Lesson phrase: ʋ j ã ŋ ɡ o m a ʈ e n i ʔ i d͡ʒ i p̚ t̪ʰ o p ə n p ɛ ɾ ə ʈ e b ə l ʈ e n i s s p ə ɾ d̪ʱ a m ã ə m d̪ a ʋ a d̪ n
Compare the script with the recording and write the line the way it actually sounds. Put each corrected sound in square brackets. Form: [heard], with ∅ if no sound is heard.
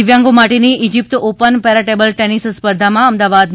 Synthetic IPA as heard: ʋ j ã ŋ ɡ o m a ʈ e n i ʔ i d͡ʒ i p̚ [t̪] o p ə n p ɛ ɾ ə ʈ e b ə l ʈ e n i s s p ə ɾ d̪ʱ a m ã ə m d̪ a ʋ a d̪ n